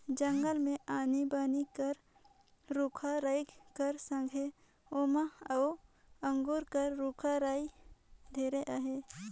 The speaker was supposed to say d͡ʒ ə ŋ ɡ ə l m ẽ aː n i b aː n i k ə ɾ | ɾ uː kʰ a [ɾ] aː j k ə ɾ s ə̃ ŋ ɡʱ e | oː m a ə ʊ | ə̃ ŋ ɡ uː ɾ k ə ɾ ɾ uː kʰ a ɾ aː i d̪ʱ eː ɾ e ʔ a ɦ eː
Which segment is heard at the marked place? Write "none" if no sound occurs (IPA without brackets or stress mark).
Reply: ɾ